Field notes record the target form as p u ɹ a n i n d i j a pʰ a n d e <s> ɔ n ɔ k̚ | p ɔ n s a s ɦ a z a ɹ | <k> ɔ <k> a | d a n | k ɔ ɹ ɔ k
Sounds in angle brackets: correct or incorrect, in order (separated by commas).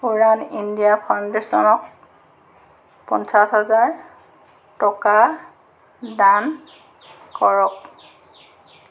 correct, incorrect, correct